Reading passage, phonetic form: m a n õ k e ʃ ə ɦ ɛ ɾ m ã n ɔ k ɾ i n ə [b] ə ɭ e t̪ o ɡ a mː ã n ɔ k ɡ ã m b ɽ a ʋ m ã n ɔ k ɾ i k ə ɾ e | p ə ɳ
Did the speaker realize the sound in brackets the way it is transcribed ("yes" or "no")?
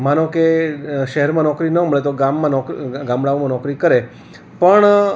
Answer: no